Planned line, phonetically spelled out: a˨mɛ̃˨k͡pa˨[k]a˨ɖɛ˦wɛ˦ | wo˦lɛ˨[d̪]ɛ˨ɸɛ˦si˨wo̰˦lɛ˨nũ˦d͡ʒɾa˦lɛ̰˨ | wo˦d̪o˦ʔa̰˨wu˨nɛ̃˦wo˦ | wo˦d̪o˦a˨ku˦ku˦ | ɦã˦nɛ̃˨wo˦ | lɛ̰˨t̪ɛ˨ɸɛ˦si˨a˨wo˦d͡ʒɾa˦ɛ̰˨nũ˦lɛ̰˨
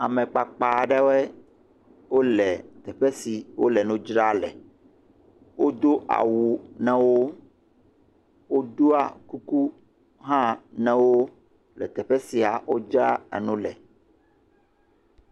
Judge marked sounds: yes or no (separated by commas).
no, no